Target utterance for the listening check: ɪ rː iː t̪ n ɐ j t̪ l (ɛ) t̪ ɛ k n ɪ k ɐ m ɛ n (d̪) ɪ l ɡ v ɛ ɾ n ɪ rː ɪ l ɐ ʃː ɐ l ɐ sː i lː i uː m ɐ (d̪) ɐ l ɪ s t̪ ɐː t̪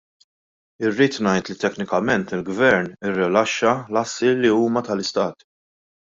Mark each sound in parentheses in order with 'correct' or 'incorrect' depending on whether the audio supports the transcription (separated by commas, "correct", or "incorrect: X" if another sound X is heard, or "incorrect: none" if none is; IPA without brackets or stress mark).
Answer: incorrect: i, incorrect: t̪, incorrect: t̪